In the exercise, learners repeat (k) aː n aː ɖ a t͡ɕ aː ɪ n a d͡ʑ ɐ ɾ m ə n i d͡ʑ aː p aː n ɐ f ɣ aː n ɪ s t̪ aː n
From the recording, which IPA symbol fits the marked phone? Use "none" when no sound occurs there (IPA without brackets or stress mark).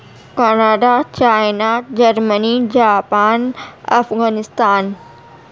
k